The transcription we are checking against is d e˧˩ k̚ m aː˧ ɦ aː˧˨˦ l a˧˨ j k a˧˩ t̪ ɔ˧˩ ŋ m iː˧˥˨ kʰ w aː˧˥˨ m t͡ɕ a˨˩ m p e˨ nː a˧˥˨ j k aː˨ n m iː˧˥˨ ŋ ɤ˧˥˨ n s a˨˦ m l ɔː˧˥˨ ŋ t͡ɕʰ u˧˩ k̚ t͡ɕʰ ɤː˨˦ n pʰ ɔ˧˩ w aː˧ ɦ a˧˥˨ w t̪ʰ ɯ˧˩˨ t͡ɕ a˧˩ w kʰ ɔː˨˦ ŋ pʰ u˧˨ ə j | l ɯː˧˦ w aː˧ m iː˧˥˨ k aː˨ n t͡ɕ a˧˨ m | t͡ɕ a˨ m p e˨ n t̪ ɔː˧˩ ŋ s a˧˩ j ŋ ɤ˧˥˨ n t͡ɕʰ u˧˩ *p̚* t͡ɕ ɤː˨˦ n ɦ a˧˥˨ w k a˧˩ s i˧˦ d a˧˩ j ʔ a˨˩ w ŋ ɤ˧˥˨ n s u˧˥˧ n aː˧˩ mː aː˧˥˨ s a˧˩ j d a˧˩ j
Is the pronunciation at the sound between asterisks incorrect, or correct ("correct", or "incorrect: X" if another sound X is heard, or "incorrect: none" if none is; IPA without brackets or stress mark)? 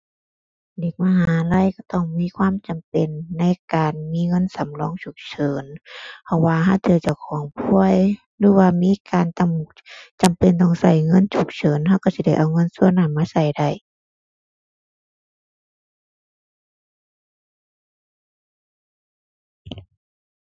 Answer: incorrect: k̚